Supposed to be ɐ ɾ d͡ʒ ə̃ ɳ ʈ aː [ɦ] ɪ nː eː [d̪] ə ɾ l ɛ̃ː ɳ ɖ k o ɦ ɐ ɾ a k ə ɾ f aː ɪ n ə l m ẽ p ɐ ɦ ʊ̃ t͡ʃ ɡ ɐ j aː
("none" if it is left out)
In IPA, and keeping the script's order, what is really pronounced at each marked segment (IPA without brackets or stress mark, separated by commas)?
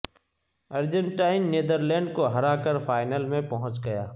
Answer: none, d̪